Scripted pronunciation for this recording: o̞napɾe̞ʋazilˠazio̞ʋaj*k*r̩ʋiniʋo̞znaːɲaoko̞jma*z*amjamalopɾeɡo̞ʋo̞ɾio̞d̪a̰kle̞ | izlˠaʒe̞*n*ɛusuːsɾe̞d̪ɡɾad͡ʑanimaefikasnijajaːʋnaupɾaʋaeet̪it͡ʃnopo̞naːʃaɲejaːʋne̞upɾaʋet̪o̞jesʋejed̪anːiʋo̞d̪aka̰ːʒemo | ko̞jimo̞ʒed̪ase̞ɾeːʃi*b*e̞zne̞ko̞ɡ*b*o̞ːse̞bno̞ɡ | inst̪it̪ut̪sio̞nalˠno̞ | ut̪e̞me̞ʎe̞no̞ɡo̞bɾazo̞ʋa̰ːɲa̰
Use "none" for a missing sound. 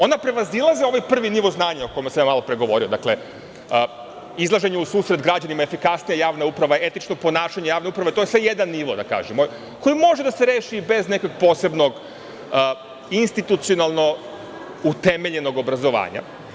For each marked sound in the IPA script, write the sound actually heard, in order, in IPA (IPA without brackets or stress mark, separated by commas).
p, s, ɲ, b, p